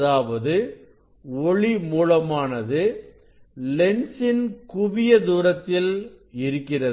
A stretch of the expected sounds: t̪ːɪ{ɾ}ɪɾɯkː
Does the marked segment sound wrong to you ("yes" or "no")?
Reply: yes